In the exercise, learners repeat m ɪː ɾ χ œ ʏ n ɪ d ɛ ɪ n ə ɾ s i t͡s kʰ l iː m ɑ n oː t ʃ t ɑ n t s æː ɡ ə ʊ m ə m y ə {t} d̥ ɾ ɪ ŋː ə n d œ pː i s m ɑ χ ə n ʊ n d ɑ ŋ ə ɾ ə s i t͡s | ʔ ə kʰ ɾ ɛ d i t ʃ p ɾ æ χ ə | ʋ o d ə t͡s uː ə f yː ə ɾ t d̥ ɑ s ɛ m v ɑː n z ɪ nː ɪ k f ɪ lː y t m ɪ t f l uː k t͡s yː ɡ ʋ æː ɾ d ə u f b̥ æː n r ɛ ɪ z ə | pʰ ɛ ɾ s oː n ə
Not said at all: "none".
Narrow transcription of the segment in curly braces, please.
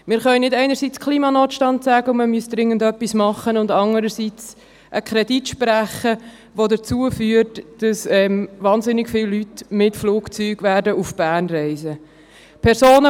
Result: s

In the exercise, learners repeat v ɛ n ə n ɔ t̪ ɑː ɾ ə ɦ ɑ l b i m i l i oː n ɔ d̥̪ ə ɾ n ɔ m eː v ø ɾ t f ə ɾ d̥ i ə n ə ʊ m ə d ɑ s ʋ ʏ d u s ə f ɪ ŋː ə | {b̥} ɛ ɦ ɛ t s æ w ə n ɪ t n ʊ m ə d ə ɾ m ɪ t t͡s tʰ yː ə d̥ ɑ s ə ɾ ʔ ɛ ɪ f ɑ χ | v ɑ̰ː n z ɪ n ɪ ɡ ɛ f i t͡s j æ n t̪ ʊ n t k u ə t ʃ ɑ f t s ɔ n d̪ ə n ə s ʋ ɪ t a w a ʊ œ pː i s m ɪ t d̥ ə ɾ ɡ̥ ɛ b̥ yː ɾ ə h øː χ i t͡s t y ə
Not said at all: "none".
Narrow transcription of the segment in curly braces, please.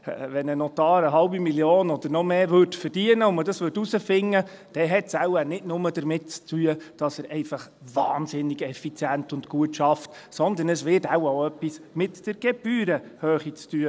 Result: d̥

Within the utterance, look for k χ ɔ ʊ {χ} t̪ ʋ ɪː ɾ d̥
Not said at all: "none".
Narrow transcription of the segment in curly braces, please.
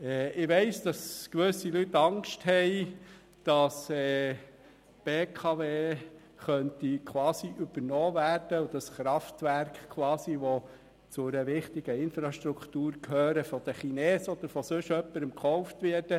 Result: f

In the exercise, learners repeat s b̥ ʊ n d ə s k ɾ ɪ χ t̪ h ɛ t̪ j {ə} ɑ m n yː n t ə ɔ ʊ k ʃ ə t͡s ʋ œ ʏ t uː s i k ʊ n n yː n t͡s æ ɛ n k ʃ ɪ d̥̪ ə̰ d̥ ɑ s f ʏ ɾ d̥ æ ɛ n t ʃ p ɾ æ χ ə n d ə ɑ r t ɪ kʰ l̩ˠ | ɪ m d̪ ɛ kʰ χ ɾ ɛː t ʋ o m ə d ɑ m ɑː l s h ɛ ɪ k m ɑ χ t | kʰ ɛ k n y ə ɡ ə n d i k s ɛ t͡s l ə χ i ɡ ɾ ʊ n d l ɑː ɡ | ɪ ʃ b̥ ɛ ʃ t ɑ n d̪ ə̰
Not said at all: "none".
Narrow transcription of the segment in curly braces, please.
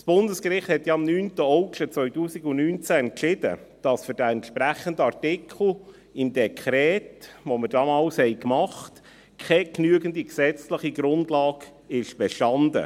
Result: ɑ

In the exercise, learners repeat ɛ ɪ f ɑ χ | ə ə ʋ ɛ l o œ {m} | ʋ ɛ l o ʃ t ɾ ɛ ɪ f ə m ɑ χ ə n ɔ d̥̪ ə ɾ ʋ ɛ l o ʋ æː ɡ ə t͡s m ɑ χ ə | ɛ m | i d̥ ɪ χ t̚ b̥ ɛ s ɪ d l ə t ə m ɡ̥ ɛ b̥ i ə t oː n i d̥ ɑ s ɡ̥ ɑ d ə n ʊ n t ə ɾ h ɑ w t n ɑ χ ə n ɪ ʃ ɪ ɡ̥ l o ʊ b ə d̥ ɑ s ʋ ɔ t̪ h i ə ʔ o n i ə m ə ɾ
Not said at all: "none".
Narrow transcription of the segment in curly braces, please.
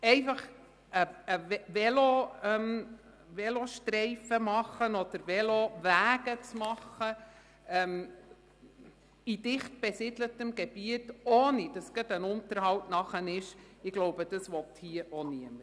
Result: m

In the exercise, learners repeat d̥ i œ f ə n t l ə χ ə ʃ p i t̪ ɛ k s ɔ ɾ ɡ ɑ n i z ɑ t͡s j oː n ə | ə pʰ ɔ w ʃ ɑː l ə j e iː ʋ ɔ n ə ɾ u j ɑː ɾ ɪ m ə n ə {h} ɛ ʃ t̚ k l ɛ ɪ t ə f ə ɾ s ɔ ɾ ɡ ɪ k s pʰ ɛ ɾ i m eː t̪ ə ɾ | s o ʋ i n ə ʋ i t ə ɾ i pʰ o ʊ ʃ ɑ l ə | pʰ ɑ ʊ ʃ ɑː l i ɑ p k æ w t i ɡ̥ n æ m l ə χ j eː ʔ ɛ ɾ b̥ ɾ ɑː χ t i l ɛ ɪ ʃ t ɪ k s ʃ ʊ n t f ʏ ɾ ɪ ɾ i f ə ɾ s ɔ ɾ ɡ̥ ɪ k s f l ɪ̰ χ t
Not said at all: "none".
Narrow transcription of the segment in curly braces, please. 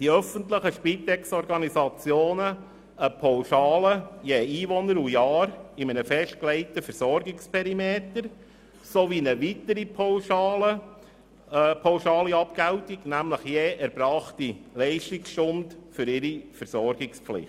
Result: f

